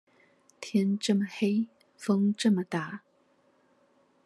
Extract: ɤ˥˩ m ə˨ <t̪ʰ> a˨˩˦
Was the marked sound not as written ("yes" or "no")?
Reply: yes